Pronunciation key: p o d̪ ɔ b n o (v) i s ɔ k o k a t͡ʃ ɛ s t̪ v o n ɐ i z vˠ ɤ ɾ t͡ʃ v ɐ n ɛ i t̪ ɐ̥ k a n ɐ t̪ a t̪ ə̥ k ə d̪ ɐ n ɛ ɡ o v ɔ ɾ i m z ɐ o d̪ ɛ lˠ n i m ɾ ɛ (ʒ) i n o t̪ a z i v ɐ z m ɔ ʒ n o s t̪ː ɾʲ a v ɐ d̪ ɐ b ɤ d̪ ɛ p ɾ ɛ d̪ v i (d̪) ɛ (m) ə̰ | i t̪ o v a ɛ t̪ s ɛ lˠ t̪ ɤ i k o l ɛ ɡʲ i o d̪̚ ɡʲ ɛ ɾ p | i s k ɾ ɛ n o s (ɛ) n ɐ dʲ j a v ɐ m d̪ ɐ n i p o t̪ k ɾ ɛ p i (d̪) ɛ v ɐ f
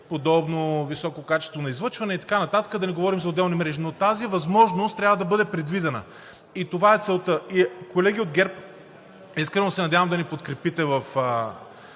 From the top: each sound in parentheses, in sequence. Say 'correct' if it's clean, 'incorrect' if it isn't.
correct, correct, correct, incorrect: n, correct, incorrect: t̪

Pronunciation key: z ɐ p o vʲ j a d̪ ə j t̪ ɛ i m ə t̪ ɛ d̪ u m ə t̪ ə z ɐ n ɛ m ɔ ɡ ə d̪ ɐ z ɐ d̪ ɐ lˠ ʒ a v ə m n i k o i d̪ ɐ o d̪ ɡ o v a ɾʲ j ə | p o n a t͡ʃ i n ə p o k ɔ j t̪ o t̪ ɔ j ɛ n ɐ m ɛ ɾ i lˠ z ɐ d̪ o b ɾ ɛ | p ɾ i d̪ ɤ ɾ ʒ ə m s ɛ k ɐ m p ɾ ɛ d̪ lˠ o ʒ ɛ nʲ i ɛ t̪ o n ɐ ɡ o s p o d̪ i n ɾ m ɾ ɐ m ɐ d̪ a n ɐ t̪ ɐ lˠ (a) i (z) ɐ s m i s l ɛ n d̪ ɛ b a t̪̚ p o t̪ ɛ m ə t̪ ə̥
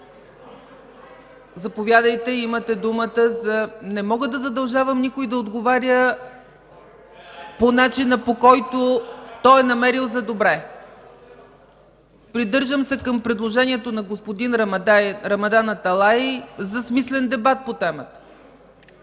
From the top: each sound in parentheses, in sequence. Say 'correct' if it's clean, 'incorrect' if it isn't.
correct, correct

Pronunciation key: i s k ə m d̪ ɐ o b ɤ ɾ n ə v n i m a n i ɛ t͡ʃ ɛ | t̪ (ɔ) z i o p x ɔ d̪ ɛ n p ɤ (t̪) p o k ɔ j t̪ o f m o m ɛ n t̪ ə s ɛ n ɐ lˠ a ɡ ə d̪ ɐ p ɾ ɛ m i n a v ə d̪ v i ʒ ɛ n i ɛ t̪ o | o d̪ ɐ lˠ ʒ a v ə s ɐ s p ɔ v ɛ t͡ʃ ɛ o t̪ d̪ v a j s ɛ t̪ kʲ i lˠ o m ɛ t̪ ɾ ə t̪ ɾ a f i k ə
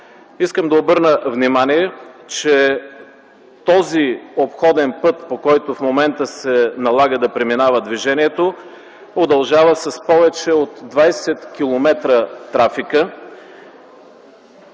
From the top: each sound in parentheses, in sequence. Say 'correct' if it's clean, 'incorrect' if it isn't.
correct, correct

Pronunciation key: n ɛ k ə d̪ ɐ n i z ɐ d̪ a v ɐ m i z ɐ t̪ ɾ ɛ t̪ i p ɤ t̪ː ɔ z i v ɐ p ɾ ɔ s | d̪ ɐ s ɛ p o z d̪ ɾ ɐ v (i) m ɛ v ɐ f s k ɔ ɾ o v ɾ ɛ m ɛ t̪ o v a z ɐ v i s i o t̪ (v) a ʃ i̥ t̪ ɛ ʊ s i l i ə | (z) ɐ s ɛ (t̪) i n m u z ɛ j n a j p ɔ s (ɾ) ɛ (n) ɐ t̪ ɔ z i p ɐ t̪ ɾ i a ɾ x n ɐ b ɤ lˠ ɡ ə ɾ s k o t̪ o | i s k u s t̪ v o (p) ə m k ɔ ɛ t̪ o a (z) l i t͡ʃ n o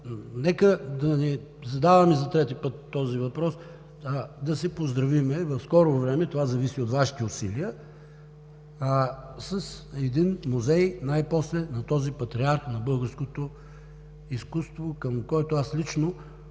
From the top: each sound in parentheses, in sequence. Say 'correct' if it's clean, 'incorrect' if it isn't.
correct, correct, incorrect: s, incorrect: d̪, incorrect: l, correct, incorrect: k, incorrect: s

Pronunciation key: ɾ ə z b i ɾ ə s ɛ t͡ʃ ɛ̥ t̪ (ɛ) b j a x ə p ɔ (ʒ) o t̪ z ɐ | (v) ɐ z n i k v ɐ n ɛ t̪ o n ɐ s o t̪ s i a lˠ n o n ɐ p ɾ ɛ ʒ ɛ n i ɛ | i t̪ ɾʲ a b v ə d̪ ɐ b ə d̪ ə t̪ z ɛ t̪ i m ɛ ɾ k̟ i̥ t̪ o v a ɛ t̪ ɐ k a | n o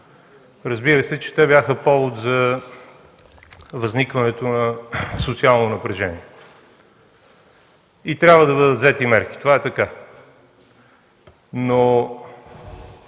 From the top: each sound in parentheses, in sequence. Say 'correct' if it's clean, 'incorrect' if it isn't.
correct, incorrect: v, correct

